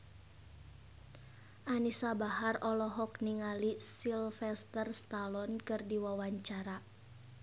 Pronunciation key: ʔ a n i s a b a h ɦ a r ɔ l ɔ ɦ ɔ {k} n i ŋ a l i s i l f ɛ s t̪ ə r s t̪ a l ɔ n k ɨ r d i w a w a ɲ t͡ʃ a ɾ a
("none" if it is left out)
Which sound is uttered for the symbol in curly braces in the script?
k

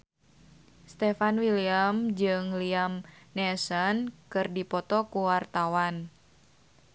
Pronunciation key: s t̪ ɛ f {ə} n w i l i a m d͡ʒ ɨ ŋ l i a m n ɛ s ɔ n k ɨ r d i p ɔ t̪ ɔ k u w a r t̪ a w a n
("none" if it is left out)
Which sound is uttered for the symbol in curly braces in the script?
a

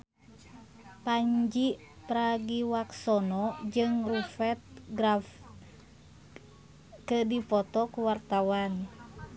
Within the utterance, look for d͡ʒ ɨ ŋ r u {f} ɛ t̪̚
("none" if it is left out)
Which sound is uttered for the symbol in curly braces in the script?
f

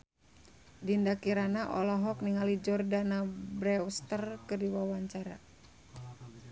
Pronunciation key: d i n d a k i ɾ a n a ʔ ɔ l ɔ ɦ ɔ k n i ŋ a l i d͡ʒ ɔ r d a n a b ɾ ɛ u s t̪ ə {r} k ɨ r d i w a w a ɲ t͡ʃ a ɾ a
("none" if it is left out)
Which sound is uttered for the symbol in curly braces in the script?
r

